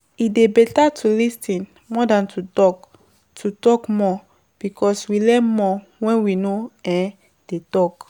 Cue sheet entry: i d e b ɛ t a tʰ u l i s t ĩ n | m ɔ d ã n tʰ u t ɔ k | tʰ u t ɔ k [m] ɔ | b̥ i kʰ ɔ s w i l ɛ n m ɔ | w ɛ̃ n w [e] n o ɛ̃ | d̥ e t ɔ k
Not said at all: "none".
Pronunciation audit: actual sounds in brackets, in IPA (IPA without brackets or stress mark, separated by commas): m, i